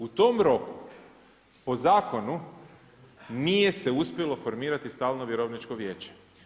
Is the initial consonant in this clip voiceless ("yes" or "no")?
yes